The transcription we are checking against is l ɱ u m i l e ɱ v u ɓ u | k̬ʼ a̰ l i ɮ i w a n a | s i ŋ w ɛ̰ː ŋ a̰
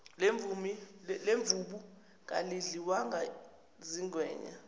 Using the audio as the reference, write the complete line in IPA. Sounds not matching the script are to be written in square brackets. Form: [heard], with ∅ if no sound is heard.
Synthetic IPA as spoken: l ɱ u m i l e ɱ v u ɓ u | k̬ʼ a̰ l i ɮ i w a [ŋ] a | [z] i ŋ w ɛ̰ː [ɲ] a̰